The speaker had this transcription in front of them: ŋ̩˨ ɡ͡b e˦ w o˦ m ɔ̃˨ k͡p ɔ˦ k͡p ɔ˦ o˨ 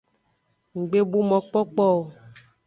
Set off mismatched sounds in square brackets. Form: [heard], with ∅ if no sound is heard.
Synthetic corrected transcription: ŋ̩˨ ɡ͡b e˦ [b] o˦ m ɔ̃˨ k͡p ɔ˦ k͡p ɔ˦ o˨

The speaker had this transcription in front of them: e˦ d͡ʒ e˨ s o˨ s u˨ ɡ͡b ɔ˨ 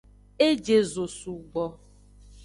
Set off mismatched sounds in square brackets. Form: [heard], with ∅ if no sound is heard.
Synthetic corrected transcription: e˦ d͡ʒ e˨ [z] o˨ s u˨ ɡ͡b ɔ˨

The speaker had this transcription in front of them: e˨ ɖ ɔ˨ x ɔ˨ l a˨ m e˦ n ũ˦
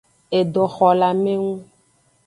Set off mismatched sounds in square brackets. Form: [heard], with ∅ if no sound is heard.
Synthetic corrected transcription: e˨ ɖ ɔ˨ x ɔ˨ l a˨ m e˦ [ŋ] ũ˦

